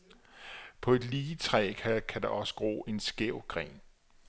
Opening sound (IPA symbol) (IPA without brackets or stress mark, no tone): pʰ